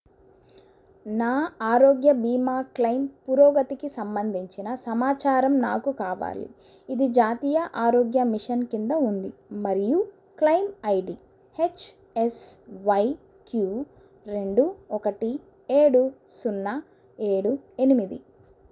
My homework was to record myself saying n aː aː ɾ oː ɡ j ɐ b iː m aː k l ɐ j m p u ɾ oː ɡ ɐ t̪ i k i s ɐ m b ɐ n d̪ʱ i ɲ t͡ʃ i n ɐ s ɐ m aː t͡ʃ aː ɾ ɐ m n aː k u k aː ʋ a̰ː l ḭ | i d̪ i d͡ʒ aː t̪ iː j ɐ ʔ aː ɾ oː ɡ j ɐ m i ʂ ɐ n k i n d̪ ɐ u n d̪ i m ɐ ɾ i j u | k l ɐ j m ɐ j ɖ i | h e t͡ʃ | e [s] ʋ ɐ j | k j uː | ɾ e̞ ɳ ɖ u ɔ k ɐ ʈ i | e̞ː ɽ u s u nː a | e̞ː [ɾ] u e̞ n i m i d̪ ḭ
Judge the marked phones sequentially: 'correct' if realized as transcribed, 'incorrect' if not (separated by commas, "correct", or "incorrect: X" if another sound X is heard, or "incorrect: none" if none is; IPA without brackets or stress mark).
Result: correct, incorrect: ɽ